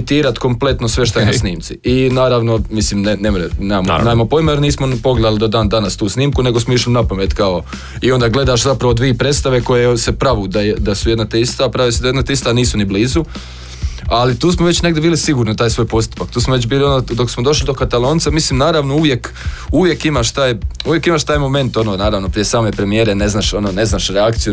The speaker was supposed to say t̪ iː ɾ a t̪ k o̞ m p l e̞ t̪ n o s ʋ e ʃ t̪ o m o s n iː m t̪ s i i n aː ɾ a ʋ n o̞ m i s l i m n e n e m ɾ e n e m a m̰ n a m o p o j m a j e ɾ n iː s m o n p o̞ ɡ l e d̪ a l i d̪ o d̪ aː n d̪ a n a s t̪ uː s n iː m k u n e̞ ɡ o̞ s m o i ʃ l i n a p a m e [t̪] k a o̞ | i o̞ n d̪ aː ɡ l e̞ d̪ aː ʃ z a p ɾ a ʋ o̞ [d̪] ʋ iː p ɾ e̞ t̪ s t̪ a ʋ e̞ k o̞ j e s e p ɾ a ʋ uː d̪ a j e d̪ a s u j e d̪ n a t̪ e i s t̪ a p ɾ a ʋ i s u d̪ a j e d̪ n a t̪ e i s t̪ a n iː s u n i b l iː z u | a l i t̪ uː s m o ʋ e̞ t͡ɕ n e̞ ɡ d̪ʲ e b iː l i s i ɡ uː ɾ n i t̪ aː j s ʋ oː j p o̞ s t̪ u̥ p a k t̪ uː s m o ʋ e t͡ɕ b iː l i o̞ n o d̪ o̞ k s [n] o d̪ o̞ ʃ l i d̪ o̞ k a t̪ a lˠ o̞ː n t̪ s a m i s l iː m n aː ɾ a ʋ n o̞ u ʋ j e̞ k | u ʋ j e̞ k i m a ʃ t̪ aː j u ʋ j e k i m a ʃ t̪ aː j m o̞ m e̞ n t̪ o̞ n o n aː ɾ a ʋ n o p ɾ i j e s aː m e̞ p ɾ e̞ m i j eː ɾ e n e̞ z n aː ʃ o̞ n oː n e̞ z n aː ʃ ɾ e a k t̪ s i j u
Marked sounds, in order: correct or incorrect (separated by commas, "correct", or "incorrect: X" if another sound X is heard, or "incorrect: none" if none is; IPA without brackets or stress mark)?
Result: correct, correct, incorrect: m